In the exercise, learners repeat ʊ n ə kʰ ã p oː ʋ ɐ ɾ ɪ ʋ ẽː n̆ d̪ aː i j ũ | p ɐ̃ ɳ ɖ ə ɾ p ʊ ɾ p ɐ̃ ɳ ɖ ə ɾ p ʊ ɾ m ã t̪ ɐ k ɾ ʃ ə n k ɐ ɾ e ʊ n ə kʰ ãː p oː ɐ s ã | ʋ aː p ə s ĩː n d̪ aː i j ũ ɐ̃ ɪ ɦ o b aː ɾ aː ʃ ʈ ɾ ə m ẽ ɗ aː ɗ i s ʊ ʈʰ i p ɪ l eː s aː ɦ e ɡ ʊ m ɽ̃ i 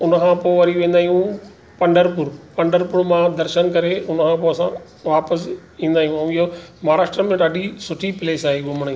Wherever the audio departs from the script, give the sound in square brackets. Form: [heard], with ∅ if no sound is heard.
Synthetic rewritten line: ʊ n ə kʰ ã p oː ʋ ɐ ɾ [i] ʋ ẽː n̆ d̪ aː i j ũ | p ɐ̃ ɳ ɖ ə ɾ p ʊ ɾ p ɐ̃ ɳ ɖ ə ɾ p ʊ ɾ m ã [d̪] ɐ [∅] ɾ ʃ ə n k ɐ ɾ e ʊ n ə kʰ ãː p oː ɐ s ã | ʋ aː p ə s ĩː n d̪ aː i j ũ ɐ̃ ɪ ɦ o [m] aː ɾ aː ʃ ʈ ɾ ə m ẽ ɗ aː ɗ i s ʊ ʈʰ i p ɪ l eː s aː ɦ e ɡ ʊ m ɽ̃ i